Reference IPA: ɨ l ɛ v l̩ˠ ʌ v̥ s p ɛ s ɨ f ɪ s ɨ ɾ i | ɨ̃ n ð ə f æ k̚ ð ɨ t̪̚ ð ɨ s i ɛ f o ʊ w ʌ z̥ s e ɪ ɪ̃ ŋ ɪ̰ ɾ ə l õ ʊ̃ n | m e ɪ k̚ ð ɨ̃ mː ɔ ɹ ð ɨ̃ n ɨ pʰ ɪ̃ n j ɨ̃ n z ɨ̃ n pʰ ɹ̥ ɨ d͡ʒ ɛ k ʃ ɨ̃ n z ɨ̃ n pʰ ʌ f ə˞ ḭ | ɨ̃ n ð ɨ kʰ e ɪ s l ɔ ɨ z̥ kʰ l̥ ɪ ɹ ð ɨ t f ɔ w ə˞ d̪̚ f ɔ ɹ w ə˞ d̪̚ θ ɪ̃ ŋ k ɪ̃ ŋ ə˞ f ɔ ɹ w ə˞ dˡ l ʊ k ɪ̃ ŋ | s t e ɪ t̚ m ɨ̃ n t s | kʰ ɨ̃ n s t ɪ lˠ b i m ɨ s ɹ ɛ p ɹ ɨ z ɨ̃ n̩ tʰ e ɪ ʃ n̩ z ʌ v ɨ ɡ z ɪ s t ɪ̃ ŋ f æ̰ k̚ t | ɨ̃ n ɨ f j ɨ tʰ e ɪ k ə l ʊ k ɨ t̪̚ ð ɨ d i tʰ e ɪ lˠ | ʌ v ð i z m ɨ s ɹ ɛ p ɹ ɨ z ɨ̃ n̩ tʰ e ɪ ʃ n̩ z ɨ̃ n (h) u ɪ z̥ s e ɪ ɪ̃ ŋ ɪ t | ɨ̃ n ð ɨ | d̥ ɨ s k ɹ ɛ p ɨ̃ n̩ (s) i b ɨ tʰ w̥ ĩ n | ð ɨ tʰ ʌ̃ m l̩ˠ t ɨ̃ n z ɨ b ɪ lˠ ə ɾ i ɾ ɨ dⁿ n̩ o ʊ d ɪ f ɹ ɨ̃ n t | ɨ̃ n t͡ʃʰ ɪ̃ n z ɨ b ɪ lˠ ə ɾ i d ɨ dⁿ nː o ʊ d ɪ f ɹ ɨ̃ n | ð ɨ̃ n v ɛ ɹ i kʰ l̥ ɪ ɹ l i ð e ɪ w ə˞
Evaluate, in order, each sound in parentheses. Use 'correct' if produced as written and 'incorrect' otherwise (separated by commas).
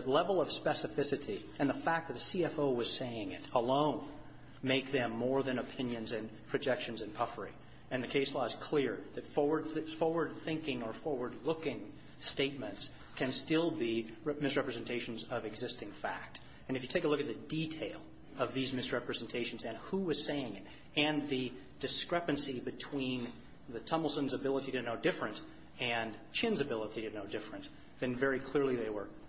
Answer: correct, correct